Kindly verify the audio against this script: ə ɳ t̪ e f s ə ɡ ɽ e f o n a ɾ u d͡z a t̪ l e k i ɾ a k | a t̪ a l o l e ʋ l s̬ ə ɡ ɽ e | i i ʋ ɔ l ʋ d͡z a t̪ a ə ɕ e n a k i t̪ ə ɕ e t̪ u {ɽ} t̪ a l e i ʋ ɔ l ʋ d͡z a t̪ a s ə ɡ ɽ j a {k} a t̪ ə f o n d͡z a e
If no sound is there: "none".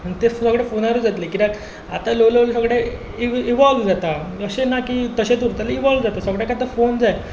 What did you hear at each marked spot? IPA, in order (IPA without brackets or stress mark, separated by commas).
ɾ, k